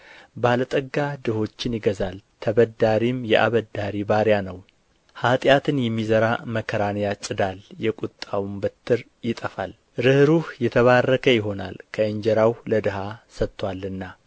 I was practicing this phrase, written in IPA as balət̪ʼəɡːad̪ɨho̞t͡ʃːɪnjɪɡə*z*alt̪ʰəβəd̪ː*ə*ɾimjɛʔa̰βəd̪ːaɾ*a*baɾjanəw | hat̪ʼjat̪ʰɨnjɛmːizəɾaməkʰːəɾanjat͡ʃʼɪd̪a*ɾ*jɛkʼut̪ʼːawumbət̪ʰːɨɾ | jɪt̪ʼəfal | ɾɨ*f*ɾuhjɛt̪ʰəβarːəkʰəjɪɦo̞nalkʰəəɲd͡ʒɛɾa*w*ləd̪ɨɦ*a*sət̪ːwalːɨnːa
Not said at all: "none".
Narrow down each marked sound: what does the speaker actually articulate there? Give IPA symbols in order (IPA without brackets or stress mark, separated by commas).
z, a, i, l, h, w, a